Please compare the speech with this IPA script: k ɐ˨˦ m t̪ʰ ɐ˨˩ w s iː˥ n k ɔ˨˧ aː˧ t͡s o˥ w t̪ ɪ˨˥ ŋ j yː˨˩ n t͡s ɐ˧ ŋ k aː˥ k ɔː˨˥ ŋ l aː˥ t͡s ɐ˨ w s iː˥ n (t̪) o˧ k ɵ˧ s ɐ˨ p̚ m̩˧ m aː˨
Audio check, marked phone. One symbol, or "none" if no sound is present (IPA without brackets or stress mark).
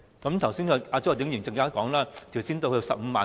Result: t̪